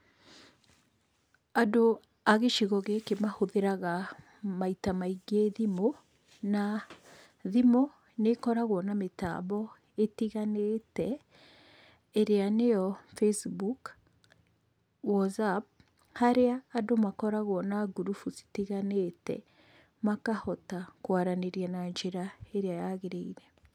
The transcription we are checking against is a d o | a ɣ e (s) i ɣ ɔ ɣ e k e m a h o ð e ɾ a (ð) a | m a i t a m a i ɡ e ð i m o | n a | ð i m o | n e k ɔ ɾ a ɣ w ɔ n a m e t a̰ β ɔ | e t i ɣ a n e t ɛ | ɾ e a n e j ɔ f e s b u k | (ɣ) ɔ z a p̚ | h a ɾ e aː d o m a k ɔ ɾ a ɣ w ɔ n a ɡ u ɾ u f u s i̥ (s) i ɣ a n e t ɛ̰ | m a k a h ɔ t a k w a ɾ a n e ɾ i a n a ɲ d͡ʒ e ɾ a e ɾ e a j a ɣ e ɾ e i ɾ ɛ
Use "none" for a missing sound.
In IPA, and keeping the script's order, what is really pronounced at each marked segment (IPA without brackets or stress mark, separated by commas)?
ʃ, ɣ, w, t